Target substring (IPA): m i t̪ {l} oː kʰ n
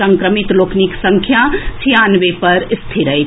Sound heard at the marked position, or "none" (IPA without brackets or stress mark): l